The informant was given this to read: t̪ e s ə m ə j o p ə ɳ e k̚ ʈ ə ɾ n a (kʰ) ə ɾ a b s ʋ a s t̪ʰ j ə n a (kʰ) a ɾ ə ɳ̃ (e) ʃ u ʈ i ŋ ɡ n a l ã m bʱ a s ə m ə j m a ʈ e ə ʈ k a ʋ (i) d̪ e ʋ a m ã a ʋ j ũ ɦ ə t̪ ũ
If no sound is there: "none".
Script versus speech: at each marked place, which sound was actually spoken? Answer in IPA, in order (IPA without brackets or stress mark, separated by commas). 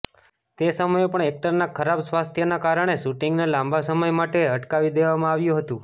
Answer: kʰ, k, e, i